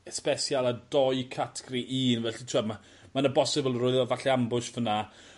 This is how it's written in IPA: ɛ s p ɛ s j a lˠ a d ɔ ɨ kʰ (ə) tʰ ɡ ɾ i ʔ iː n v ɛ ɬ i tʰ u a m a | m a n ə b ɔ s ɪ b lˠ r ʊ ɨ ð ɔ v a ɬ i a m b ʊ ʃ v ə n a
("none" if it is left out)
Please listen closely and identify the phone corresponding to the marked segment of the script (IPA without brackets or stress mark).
a